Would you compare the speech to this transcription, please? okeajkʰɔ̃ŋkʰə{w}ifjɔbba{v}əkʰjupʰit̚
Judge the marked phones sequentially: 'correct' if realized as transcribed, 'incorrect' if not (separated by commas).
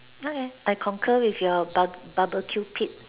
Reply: correct, incorrect